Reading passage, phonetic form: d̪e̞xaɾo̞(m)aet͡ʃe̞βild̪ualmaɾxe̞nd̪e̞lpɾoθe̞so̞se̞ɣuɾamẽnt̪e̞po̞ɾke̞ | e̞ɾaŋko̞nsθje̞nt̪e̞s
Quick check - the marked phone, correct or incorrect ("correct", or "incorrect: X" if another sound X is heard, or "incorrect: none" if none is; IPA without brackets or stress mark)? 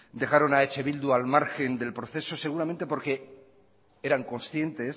incorrect: n